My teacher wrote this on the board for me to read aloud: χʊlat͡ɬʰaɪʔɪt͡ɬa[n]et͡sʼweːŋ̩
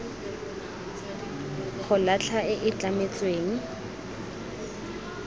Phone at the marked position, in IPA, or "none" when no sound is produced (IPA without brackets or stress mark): m